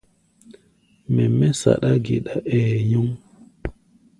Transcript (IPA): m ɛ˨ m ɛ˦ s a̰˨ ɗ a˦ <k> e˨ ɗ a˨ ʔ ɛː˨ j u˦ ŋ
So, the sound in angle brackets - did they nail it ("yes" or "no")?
no